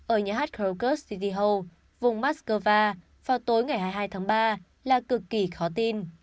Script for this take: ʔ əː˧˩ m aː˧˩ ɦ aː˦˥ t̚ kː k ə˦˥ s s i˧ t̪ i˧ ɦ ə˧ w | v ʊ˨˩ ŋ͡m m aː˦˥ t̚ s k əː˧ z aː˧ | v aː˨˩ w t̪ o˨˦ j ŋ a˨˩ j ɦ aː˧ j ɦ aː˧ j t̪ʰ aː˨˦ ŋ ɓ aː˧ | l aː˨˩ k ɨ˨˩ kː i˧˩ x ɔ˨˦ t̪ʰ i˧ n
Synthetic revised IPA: ʔ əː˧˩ ɲ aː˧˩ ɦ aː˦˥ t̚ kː k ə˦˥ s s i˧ t̪ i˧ ɦ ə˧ w | v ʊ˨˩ ŋ͡m m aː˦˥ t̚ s k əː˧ v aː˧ | v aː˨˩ w t̪ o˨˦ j ŋ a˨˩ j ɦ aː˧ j ɦ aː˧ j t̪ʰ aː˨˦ ŋ ɓ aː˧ | l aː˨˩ k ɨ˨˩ kː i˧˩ x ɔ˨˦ t̪ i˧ n